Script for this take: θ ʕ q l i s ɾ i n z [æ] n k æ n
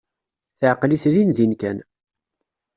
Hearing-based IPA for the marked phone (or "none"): i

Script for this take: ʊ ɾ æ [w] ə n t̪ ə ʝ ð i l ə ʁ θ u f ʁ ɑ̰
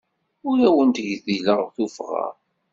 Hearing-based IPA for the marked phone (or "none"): w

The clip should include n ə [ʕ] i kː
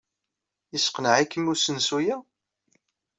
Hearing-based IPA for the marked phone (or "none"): ʕ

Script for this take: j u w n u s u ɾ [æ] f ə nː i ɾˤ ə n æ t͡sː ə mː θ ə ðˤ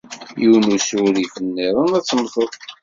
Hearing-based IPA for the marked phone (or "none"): i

